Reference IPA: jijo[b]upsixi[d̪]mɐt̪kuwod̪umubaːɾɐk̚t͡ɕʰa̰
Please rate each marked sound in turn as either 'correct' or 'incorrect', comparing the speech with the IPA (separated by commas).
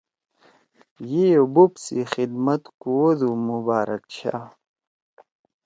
correct, correct